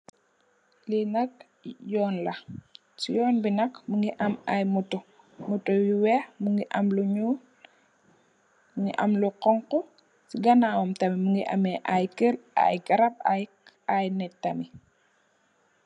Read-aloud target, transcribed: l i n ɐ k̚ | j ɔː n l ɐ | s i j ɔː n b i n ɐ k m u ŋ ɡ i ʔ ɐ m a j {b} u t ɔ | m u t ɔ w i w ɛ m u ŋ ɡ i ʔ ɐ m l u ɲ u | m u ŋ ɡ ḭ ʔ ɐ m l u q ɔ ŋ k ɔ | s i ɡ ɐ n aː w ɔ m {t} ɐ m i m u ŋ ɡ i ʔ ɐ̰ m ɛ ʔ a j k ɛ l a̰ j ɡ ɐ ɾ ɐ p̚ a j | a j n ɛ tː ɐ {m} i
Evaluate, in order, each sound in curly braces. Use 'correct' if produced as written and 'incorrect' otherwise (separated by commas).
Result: incorrect, correct, correct